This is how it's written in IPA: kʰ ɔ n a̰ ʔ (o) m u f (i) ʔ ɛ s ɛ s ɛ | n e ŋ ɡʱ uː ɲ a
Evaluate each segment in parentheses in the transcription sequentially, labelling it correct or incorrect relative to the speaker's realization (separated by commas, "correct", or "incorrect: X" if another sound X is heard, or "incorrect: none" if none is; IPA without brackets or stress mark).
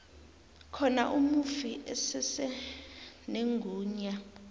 incorrect: u, correct